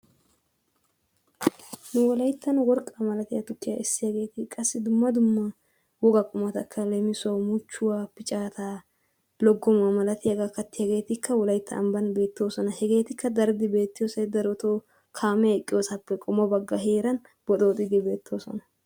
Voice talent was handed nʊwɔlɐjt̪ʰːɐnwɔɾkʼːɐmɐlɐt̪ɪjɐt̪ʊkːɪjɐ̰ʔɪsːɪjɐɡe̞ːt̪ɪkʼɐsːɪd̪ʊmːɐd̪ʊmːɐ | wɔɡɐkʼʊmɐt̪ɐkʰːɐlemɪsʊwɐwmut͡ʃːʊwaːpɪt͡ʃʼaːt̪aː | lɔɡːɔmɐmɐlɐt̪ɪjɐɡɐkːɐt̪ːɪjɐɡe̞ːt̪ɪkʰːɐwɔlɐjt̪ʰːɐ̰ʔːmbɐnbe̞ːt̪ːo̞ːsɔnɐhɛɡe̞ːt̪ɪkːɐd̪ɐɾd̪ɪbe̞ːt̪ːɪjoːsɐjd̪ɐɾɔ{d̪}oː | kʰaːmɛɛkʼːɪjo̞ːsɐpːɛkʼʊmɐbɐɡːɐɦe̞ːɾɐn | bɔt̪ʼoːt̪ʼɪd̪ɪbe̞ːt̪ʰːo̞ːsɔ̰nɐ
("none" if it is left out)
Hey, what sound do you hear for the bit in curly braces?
t̪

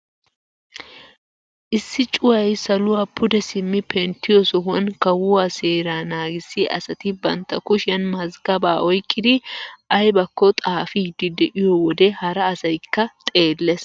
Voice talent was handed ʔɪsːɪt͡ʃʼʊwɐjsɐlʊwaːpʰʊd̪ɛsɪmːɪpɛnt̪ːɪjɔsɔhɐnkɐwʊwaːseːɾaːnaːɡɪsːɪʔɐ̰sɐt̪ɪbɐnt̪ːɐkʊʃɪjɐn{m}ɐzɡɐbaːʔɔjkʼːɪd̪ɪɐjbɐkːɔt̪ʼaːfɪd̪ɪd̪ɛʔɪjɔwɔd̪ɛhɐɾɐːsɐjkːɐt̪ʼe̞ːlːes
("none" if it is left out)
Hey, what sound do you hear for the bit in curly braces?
m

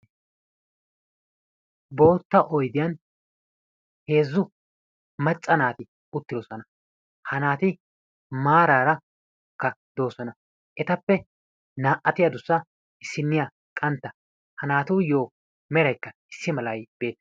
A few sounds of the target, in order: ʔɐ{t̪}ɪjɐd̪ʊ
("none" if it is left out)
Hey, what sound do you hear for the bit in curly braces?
t̪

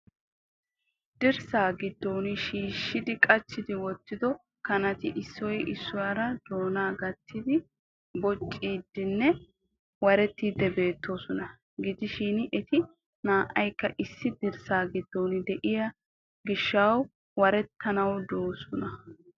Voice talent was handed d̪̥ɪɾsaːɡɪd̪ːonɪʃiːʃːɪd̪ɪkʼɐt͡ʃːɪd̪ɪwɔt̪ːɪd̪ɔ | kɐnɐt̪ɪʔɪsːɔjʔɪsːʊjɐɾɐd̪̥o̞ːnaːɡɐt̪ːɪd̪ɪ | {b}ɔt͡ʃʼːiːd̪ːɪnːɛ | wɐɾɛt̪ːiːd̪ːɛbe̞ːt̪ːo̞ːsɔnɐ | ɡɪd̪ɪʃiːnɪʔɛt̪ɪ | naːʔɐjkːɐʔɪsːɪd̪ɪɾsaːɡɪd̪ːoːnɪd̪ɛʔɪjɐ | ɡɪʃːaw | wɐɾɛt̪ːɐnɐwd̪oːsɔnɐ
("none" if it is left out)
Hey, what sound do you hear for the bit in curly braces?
b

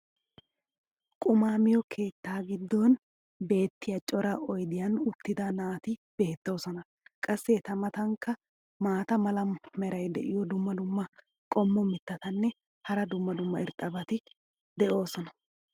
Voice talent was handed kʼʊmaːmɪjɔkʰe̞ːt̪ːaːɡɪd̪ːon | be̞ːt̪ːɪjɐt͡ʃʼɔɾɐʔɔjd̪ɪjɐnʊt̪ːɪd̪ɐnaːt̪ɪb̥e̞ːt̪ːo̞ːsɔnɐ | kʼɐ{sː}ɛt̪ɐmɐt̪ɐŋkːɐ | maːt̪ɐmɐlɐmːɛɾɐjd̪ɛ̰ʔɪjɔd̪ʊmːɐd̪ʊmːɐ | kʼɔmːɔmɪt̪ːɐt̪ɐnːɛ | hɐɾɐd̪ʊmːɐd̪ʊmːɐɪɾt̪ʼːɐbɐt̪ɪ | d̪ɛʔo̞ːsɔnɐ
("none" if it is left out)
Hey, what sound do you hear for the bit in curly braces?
sː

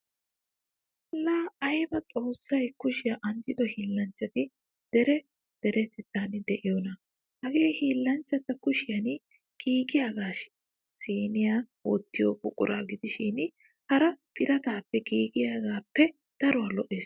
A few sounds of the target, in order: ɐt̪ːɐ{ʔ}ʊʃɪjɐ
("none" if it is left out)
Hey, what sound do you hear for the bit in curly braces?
k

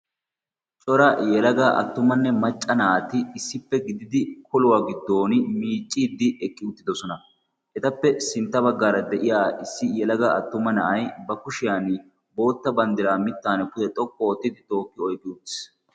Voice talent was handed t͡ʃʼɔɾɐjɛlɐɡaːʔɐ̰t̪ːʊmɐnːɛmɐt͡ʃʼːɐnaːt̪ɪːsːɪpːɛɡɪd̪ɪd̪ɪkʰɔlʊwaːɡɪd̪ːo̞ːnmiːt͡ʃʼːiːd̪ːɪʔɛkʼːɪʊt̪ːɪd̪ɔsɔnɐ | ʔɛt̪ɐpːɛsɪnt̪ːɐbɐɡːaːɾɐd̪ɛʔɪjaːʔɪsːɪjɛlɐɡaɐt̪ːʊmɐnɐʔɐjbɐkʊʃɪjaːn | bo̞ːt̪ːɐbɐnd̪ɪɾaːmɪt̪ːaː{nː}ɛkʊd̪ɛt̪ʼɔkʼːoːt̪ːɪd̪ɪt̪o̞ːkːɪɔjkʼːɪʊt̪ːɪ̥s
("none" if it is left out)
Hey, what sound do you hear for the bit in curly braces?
n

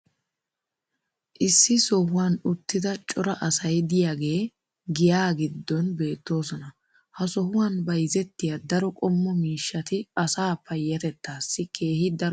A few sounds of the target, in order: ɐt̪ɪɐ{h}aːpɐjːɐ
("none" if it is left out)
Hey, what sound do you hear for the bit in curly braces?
s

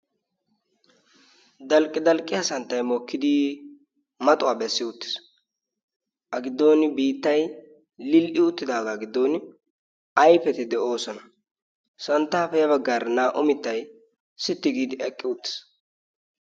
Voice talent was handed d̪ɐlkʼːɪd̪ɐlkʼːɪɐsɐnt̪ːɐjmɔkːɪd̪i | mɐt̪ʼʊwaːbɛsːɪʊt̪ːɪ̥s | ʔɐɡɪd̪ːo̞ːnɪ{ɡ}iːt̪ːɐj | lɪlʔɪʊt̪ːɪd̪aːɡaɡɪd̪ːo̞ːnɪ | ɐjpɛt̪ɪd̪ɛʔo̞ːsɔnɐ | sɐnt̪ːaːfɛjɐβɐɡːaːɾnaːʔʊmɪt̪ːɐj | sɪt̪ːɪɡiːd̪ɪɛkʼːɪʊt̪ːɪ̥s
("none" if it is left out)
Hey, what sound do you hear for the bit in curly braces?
b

